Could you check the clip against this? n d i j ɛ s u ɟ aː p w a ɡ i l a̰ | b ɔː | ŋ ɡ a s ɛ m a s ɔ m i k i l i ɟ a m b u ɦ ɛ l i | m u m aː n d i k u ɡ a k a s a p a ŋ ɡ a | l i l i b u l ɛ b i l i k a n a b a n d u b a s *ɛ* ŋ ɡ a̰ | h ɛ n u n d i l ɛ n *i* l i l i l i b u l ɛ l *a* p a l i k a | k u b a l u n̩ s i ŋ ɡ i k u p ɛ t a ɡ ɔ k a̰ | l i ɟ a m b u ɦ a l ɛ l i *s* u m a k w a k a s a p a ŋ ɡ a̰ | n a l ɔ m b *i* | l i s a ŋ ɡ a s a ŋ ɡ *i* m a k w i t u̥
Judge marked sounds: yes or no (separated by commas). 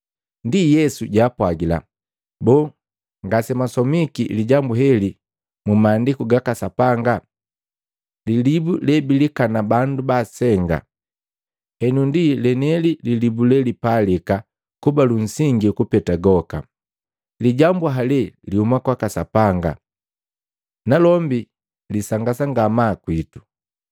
yes, no, no, no, yes, no